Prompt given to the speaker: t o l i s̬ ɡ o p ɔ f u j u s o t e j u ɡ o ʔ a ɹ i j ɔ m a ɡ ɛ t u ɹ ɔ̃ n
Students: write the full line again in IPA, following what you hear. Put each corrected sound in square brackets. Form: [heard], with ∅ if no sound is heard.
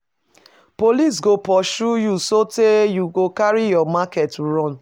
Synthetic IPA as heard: [p] o l i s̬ ɡ o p ɔ [ʃ] u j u s o t e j u ɡ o [k] a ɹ i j ɔ m a [k] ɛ t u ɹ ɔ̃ n